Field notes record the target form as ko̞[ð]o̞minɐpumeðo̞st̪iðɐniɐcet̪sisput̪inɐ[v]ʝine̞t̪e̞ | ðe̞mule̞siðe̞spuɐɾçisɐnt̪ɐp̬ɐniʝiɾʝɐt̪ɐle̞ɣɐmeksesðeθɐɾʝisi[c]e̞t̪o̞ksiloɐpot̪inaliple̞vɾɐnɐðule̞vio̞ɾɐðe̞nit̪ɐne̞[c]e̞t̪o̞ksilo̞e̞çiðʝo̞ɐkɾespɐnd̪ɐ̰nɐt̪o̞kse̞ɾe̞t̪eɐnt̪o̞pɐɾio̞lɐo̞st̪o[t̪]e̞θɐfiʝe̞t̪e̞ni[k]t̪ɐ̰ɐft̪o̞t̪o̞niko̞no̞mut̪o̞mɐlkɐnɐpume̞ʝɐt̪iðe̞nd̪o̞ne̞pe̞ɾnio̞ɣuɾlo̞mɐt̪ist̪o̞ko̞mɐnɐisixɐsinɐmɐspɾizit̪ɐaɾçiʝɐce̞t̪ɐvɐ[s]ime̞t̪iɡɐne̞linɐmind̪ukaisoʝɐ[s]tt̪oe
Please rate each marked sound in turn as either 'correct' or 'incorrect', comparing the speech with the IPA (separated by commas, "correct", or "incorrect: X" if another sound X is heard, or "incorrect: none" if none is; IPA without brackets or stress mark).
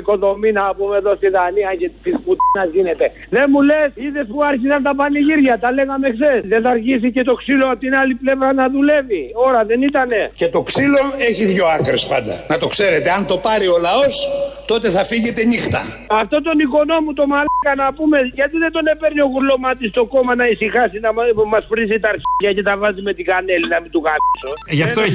correct, incorrect: z, correct, correct, correct, incorrect: x, incorrect: z, incorrect: f